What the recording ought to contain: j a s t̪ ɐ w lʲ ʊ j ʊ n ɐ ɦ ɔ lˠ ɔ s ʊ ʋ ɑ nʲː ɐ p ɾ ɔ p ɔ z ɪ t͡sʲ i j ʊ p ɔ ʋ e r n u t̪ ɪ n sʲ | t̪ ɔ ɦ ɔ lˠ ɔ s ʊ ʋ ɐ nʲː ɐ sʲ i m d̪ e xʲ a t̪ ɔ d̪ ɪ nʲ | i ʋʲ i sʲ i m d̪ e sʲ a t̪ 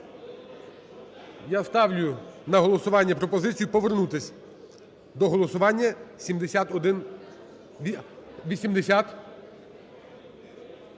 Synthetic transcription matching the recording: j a s t̪ ɑ w lʲ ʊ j ʊ n ɐ ɦ ɔ lˠ ɔ s ʊ ʋ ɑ nʲː ɐ p ɾ ɔ p ɔ z ɪ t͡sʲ i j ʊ p ɔ ʋ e r n u t̪ ɪ sʲ | d̪ ɔ ɦ ɔ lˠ ɔ s ʊ ʋ ɑ nʲː ɐ sʲ i m d̪ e sʲ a t̪ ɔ d̪ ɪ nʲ | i ʋʲ i sʲ i m d̪ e sʲ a t̪